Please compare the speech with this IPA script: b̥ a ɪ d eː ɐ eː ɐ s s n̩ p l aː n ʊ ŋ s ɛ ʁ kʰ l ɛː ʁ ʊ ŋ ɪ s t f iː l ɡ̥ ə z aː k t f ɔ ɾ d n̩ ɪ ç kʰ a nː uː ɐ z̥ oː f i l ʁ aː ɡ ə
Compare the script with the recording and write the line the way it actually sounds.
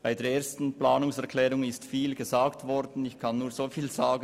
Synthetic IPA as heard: b̥ a ɪ d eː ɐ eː ɐ s t n̩ p l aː n ʊ ŋ s ɛ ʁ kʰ l ɛː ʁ ʊ ŋ ɪ s t f iː l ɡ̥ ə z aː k t v ɔ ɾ d n̩ ɪ ç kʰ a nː uː ɐ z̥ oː f iː l z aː ɡ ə